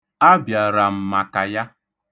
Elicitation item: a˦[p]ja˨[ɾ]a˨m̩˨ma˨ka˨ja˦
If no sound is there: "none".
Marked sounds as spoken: b, ɾ

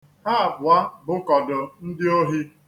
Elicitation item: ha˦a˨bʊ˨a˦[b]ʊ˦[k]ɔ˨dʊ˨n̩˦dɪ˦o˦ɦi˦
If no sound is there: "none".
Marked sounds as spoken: b, k

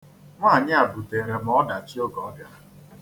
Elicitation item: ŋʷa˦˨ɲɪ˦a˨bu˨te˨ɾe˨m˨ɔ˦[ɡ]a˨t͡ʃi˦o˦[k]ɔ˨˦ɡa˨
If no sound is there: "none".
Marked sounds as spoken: d, ɡ

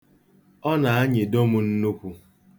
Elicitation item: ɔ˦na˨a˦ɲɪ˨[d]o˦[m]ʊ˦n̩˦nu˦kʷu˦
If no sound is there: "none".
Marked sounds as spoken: d, m

